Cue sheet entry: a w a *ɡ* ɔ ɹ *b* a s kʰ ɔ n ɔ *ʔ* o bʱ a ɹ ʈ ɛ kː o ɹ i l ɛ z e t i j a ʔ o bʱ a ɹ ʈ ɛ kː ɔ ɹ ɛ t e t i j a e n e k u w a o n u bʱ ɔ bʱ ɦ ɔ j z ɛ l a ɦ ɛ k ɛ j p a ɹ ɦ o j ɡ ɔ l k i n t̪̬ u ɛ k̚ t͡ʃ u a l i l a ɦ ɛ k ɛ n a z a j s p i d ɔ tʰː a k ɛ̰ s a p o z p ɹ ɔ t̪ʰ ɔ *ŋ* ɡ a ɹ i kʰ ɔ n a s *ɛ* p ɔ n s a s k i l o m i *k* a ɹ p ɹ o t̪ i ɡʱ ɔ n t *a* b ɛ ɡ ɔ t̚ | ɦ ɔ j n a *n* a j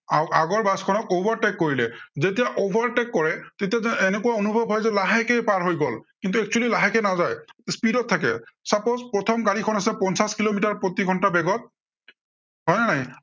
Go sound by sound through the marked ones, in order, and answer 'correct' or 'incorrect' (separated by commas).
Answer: correct, correct, incorrect, incorrect, correct, incorrect, correct, correct